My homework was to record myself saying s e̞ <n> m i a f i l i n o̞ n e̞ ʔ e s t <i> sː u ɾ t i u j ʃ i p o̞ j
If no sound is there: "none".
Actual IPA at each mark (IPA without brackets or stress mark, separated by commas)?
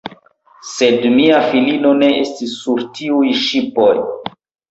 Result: d, i